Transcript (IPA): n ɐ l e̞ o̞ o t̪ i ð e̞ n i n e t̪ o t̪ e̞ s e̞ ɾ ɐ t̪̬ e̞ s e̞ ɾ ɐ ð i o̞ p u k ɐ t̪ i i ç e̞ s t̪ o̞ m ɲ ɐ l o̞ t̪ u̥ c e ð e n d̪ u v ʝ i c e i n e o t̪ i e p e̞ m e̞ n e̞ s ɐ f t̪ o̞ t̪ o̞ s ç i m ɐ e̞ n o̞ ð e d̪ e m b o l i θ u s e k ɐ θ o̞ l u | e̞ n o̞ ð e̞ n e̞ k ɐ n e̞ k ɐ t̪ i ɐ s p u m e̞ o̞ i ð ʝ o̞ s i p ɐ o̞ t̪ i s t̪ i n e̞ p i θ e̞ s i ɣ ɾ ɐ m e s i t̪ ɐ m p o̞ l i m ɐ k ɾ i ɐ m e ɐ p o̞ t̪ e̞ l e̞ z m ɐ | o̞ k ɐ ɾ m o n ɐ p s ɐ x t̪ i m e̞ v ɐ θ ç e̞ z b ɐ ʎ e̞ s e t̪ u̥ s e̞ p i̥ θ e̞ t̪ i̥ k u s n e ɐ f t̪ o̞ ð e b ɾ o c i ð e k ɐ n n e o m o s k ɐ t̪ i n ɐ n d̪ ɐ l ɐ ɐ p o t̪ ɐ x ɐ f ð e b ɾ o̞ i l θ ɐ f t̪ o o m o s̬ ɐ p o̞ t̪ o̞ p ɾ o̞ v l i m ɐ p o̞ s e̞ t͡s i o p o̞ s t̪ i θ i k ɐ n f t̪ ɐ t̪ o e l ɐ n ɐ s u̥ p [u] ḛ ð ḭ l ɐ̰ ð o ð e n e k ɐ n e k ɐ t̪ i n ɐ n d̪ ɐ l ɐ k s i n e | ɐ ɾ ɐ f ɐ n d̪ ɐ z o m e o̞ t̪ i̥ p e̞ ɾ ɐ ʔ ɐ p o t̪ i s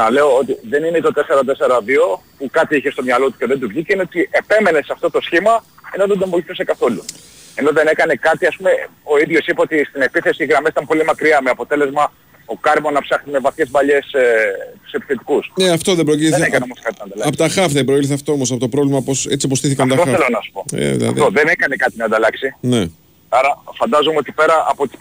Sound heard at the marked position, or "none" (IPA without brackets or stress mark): o